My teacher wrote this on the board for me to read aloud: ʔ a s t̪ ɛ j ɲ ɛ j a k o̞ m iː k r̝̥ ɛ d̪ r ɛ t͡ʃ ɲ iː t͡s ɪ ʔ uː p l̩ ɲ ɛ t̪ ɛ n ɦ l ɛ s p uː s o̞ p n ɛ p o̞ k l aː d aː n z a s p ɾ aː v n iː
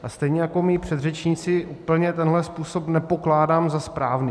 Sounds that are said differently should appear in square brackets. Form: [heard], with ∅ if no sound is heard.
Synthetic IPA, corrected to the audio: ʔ a s t̪ ɛ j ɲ ɛ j a k o̞ m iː [p] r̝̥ ɛ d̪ r ɛ t͡ʃ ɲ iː t͡s ɪ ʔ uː p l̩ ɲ ɛ t̪ ɛ n ɦ l ɛ s p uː s o̞ p n ɛ p o̞ k l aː d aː [m] z a s p ɾ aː v n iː